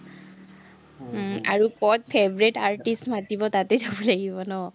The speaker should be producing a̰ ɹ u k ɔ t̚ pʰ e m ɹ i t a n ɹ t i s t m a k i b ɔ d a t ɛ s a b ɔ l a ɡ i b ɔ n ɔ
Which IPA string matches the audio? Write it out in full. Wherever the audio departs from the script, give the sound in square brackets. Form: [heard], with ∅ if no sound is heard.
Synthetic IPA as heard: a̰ ɹ u k ɔ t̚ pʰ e [b] ɹ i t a [∅] ɹ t i s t m a [t] i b ɔ [t] a t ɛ [z] a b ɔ l a ɡ i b ɔ n ɔ